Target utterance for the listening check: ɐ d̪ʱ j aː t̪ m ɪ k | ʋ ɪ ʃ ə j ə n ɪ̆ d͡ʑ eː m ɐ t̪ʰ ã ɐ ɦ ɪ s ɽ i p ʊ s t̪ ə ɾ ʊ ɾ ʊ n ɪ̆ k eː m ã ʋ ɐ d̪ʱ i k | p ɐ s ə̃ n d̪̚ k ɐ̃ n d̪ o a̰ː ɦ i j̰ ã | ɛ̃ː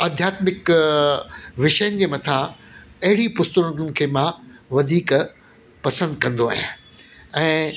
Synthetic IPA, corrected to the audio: ɐ d̪ʱ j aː t̪ m ɪ k | ʋ ɪ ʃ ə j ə n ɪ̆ d͡ʑ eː m ɐ t̪ʰ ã ɐ ɦ ɪ ɽ i p ʊ s t̪ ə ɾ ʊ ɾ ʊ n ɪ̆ kʰ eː m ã ʋ ɐ d̪ʱ iː k | p ɐ s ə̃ n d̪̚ k ɐ̃ n d̪ o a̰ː ɦ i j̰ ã | ɛ̃ː